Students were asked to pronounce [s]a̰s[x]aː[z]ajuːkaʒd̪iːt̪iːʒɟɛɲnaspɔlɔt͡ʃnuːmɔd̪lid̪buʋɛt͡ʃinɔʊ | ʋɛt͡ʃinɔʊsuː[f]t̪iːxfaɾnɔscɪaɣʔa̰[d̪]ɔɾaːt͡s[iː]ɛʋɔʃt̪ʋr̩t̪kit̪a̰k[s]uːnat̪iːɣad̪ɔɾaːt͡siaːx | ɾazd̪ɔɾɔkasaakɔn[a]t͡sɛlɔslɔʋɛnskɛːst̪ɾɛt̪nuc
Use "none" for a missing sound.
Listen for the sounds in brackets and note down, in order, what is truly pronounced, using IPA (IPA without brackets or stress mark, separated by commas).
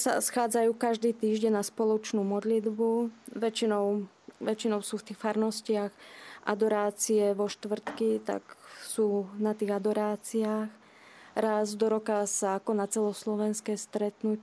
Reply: s, x, d͡z, f, d̪, i, s, a